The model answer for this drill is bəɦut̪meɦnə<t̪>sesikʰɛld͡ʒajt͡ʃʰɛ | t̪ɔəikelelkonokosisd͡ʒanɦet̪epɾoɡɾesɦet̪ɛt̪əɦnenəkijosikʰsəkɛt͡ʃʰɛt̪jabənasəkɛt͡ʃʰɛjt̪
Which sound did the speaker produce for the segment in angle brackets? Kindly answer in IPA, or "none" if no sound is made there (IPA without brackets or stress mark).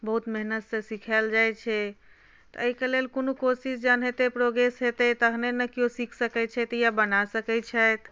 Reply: t̪